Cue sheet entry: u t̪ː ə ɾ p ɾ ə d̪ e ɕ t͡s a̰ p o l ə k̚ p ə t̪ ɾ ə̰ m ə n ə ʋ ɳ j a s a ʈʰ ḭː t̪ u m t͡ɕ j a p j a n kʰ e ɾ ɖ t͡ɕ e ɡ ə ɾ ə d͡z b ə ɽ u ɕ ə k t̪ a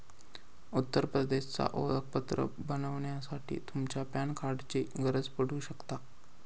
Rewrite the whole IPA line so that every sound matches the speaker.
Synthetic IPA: u t̪ː ə ɾ p ɾ ə d̪ e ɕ t͡s a̰ ʔ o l ə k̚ p ə t̪ ɾ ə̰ b ə n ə ʋ ɳ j a s a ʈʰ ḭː t̪ u m t͡ɕ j a p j a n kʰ a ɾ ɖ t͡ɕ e ɡ ə ɾ ə d͡z p ə ɽ u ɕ ə k t̪ a

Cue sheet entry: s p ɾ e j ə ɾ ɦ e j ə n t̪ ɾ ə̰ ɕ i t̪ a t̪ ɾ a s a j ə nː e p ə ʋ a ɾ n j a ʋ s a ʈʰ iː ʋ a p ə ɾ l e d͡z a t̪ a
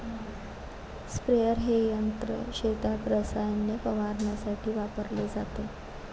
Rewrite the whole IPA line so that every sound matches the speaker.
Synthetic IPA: s p ɾ e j ə ɾ ɦ e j ə n t̪ ɾ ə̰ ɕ e t̪ a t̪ ɾ ə s a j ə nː e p ə ʋ a ɾ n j a s a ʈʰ iː ʋ a p ə ɾ l e d͡z a t̪ e

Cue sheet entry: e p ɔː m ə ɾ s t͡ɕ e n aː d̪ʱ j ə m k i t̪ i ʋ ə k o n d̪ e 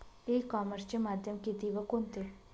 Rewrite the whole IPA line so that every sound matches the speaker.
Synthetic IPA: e k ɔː m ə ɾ s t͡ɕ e m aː d̪ʱ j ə m k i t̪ i ʋ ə k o n t̪ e

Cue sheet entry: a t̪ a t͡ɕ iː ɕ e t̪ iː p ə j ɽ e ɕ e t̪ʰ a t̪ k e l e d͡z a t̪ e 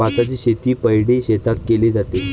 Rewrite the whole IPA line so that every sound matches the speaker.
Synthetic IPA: a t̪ a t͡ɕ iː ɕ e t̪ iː p ə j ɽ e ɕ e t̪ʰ a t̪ k e l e d͡z a t̪ e

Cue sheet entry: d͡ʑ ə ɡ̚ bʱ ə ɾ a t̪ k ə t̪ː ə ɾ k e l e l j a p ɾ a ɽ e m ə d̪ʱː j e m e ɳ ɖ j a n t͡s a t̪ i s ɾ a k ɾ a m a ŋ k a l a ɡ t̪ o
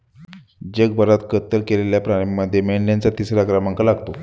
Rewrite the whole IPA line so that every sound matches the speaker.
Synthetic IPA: d͡ʑ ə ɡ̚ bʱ ə ɾ a t̪ k ə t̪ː ə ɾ k e l e l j a p ɾ a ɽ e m ə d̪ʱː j e m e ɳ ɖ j a n t͡s a t̪ i s ɾ a k ɾ a m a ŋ k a l a ɡ t̪ o

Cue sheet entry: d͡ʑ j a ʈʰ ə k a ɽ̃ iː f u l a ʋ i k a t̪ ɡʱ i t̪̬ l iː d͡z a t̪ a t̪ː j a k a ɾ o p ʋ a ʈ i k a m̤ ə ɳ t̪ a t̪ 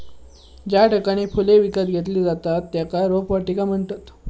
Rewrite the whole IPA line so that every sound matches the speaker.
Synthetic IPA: d͡ʑ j a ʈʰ ə k a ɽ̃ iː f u l e ʋ i k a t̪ ɡʱ e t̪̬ l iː d͡z a t̪ a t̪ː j a k a ɾ o p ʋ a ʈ i k a m̤ ə ɳ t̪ a t̪

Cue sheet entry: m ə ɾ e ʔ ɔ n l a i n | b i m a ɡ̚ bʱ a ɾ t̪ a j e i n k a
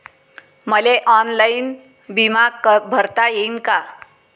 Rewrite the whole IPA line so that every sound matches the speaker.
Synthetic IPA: m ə l e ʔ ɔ n l a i n | b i m a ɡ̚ bʱ ə ɾ t̪ a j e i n k a

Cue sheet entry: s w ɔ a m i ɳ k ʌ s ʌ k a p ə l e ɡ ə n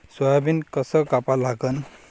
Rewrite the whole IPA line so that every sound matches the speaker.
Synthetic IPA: s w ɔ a b i n k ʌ s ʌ k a p a l a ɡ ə n

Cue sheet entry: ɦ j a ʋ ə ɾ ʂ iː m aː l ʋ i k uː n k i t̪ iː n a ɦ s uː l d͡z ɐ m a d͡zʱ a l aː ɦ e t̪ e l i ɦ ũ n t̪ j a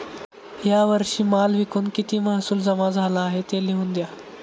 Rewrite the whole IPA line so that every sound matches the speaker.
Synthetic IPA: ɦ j a ʋ ə ɾ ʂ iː m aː l ʋ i k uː n k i t̪ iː m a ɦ s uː l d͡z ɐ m a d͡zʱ a l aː ɦ e t̪ e l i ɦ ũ n d̪ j a

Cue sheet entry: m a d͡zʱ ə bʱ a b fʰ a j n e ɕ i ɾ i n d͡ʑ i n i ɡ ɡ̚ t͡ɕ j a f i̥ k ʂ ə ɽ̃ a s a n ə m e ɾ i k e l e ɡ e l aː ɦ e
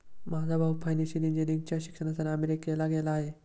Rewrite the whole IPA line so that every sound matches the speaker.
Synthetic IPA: m a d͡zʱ a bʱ a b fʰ a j n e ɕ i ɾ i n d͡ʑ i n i ŋ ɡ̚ t͡ɕ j a ɕ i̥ k ʂ ə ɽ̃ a s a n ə m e ɾ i k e l a ɡ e l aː ɦ e

